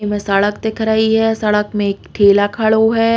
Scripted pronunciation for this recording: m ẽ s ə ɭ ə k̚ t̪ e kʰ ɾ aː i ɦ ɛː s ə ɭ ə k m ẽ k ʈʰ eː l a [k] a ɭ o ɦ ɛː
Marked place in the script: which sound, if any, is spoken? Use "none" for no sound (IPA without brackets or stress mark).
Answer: kʰ